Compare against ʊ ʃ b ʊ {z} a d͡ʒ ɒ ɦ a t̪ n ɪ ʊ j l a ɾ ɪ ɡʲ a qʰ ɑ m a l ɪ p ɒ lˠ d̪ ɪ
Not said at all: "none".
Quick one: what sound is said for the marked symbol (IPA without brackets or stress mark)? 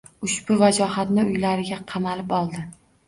v